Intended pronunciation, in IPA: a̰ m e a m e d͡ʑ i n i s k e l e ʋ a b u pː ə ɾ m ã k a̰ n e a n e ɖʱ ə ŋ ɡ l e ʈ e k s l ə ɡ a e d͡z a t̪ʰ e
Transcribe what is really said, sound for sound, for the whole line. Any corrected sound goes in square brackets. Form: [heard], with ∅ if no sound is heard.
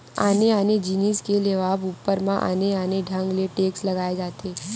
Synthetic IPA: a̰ [n] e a [n] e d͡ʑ i n i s k e l e ʋ a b u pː ə ɾ m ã [ʔ] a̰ n e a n e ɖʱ ə ŋ ɡ l e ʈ e k s l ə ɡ a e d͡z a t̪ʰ e